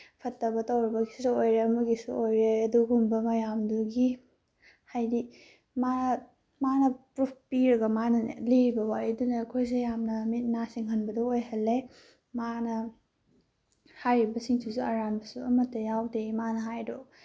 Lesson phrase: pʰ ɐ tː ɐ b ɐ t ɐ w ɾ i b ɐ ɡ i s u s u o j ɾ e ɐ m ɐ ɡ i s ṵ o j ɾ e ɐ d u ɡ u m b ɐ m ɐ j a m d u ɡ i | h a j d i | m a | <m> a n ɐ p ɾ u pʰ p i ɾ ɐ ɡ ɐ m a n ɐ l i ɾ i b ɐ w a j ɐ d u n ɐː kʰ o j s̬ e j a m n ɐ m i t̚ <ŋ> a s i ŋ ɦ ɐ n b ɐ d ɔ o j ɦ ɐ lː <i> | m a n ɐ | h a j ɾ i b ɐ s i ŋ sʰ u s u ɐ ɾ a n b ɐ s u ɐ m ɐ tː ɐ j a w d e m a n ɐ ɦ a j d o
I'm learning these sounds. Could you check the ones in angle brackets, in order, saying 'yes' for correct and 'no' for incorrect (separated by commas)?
yes, no, no